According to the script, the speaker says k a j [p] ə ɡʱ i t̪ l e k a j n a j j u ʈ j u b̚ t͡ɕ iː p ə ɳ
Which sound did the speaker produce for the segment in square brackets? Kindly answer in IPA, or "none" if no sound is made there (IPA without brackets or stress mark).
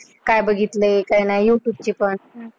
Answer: b